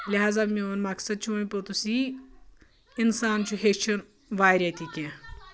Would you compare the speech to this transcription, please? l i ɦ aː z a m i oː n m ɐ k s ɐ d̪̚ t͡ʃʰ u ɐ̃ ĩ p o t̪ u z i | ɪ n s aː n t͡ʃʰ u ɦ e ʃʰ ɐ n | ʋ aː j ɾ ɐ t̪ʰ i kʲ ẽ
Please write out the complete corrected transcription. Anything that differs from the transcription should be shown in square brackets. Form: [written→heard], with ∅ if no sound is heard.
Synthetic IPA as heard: l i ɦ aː z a m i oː n m ɐ k s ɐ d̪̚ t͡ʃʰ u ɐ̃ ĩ p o t̪ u [z→s] i | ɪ n s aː n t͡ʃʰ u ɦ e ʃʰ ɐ n | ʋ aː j ɾ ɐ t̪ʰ i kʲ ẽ